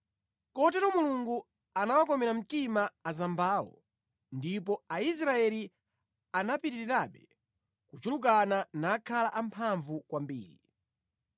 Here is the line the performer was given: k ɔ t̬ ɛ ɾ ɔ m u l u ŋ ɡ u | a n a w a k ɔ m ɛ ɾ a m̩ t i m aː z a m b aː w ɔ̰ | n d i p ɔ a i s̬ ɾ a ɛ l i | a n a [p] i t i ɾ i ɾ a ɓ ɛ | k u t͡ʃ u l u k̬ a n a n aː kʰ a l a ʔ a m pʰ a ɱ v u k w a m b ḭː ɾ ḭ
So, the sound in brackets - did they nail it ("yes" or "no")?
yes